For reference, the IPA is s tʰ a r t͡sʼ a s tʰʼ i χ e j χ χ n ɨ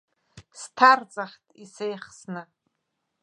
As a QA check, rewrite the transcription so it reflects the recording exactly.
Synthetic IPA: s tʰ a r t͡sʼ a χ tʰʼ i s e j χ s n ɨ